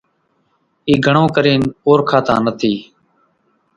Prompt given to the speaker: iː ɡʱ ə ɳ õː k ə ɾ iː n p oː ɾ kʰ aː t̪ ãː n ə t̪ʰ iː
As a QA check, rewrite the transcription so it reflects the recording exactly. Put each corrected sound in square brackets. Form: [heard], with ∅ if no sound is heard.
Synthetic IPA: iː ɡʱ ə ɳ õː k ə ɾ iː n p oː ɾ kʰ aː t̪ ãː n ə t̪ʰ iː